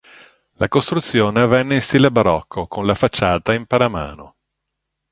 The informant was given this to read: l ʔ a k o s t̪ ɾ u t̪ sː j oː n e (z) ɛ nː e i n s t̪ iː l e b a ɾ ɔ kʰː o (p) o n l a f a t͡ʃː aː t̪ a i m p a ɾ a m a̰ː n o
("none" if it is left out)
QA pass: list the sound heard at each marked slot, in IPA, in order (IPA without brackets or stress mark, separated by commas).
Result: v, k